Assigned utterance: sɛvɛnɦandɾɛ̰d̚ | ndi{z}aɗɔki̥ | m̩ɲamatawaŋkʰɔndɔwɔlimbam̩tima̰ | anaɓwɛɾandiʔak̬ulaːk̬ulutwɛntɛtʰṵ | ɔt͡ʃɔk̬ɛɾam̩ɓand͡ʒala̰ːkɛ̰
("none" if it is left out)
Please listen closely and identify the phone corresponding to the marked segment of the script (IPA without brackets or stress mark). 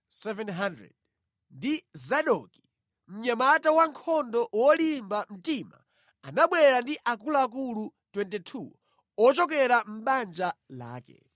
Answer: z